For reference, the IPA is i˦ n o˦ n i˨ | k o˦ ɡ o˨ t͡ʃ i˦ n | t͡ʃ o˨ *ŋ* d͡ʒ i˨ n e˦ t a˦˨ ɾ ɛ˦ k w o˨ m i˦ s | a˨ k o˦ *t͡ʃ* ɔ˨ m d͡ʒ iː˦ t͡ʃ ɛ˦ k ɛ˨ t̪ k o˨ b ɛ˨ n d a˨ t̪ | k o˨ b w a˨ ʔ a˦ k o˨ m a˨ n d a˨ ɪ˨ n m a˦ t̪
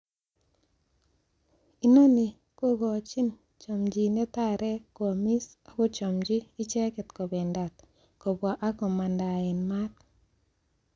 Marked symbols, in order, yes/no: no, yes

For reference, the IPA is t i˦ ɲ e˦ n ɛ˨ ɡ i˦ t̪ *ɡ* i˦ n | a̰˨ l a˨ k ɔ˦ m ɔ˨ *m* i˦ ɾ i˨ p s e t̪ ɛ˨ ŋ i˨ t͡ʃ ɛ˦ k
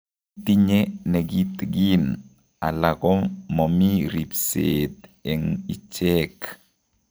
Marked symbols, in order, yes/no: yes, yes

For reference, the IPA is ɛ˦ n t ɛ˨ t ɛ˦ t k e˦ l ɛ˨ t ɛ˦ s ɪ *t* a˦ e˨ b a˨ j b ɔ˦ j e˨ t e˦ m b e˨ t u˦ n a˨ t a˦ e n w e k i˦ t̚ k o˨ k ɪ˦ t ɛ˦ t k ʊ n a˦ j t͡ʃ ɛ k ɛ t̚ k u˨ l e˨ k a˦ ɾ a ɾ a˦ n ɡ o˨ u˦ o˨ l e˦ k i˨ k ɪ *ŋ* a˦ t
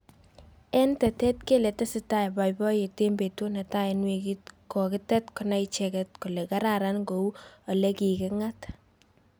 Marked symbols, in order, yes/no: yes, yes

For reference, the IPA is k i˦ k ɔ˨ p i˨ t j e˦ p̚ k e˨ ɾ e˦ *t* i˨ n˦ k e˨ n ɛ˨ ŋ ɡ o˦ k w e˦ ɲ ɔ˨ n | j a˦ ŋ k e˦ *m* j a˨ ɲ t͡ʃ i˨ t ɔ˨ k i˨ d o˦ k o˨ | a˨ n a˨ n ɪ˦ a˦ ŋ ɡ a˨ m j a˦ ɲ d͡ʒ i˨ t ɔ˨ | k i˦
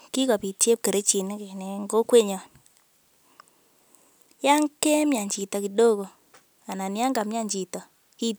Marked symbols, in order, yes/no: no, yes

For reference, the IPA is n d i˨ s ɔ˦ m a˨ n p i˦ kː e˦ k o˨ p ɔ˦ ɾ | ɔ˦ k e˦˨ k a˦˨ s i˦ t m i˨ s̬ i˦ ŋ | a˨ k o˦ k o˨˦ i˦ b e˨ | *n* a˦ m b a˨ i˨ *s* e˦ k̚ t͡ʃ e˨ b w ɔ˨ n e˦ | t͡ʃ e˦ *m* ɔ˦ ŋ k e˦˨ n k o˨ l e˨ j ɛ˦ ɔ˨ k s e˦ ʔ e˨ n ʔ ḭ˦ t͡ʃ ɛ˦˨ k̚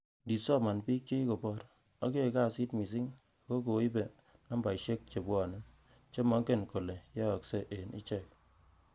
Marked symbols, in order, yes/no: yes, no, yes

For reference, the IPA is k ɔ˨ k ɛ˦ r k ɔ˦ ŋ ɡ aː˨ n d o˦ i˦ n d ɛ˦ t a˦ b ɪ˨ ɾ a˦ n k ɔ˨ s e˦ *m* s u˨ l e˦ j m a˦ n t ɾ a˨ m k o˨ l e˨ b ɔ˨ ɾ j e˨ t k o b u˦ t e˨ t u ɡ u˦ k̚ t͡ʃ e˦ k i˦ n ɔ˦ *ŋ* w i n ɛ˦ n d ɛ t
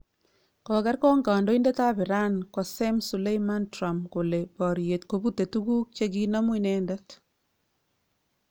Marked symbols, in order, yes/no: yes, no

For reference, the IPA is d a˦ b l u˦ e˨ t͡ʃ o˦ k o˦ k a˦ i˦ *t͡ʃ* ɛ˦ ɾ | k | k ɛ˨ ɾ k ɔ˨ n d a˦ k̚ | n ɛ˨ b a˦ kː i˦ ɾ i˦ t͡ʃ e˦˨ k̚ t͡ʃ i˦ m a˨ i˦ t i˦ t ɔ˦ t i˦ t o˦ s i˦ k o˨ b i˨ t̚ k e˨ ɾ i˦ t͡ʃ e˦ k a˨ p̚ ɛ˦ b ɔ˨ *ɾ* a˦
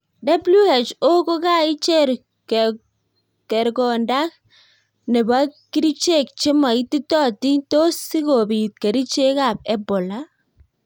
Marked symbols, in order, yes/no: yes, no

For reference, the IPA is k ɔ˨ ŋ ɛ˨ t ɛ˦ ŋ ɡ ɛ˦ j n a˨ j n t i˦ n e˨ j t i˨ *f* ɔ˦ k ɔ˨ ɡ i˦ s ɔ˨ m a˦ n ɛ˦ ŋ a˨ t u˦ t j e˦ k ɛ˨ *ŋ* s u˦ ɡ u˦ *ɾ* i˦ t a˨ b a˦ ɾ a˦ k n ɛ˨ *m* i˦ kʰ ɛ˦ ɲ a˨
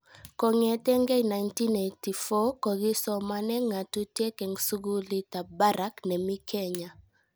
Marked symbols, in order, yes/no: yes, yes, no, yes

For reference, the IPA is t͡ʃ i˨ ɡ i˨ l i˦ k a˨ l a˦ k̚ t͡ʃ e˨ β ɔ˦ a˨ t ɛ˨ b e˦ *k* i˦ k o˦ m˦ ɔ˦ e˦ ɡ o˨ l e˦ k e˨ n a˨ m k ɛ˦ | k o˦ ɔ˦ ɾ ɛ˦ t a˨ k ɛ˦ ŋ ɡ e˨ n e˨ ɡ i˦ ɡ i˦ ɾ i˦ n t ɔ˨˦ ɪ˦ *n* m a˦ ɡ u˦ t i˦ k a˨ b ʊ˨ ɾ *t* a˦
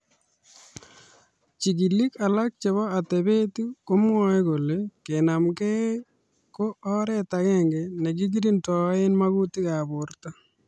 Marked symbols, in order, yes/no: no, yes, yes

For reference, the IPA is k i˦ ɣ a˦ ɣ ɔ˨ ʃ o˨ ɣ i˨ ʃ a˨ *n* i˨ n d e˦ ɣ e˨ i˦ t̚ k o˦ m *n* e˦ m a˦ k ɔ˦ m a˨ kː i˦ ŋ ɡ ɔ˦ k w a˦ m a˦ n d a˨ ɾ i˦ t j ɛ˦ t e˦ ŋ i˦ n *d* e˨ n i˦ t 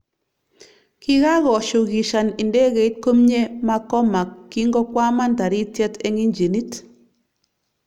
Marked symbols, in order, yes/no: yes, no, no

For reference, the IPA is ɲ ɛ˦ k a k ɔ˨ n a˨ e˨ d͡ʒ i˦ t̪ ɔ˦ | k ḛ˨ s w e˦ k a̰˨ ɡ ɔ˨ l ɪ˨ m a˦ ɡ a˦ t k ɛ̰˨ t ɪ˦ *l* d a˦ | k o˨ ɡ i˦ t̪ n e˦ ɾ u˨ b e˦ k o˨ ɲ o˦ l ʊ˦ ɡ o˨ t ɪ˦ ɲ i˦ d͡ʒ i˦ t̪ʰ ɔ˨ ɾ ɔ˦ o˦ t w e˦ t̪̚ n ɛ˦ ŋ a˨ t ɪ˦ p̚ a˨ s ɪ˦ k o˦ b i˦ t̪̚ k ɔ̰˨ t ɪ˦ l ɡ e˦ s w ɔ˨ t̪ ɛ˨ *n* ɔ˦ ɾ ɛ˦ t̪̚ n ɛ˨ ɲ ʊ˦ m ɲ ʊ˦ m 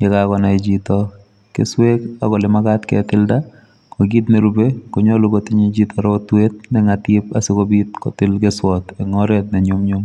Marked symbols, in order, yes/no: yes, no

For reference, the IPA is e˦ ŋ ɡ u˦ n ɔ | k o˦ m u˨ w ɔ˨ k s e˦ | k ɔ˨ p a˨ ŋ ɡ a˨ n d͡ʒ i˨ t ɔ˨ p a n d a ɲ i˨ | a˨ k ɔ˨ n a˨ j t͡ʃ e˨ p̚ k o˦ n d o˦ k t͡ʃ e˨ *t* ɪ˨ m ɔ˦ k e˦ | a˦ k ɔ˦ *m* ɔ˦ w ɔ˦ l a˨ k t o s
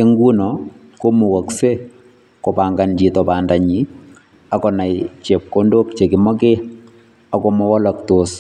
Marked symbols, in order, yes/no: no, yes

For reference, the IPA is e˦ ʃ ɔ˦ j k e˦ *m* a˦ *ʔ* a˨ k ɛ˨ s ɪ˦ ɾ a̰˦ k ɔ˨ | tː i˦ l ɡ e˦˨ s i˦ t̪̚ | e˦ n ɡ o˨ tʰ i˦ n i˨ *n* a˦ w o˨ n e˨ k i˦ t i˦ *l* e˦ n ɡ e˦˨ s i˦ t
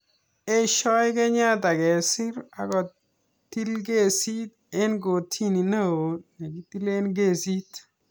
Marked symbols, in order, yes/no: no, no, yes, yes

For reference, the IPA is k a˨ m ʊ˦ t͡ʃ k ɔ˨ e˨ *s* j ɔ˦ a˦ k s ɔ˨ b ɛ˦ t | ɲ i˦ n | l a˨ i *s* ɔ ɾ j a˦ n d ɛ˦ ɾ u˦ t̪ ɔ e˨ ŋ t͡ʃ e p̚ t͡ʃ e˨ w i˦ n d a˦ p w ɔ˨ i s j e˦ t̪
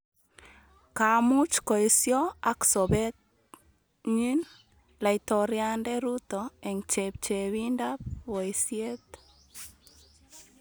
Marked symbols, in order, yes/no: yes, no

